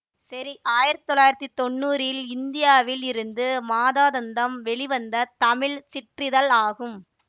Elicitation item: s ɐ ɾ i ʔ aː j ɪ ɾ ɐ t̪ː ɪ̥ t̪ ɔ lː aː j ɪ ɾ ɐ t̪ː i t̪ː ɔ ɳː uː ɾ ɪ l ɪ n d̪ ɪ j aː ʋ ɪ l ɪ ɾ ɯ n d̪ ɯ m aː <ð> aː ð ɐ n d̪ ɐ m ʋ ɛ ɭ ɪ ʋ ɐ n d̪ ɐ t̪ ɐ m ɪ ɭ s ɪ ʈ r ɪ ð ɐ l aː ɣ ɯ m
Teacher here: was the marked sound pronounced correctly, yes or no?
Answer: yes